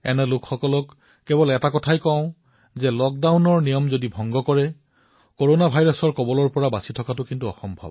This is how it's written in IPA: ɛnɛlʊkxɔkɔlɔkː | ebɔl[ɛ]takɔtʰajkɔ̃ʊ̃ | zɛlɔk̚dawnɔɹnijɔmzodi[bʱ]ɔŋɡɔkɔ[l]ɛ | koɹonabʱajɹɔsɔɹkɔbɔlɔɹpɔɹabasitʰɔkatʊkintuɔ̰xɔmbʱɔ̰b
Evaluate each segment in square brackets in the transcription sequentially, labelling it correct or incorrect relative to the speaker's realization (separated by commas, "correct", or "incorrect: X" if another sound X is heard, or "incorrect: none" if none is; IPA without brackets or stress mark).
correct, correct, incorrect: ɹ